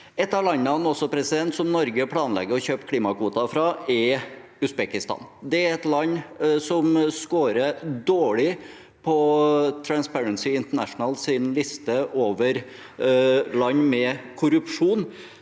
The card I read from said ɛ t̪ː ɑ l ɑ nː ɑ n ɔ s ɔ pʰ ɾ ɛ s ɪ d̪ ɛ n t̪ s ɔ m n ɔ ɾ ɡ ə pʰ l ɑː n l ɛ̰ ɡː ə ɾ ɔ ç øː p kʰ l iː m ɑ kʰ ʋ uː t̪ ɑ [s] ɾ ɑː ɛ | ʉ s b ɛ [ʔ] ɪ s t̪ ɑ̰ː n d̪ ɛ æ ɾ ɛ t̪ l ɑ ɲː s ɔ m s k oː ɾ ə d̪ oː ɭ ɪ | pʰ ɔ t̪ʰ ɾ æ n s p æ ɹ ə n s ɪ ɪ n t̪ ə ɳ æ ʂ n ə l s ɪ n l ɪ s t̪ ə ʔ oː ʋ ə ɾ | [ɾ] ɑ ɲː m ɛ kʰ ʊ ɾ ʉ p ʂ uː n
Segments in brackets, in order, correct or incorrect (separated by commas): incorrect, incorrect, incorrect